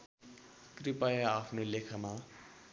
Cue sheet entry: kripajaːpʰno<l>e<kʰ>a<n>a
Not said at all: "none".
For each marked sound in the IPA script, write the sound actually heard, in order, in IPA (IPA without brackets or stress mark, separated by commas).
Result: l, kʰ, m